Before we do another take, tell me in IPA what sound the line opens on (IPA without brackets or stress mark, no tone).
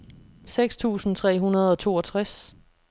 s